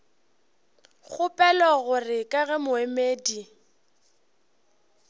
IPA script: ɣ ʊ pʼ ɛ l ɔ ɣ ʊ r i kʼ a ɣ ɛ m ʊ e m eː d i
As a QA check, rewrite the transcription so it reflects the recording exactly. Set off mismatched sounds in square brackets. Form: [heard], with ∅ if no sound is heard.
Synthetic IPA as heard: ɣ ʊ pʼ ɛ l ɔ ɣ ʊ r [ɪ] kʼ a ɣ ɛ m ʊ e m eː d i